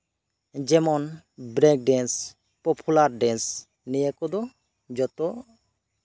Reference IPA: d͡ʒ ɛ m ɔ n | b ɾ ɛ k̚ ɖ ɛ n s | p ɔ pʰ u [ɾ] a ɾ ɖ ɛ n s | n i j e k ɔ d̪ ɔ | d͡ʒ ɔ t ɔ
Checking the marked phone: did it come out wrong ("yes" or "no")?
yes